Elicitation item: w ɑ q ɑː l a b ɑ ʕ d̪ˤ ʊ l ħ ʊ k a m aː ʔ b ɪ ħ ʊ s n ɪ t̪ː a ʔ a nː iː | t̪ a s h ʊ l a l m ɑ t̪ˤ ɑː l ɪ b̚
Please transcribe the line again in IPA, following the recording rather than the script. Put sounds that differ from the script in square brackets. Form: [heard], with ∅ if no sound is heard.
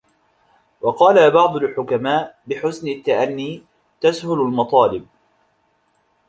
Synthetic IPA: w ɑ q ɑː l a b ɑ ʕ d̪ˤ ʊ l ħ ʊ k a m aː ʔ b ɪ ħ ʊ s n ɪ t̪ː a ʔ a nː iː | t̪ a s h ʊ l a l m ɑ t̪ˤ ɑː l ɪ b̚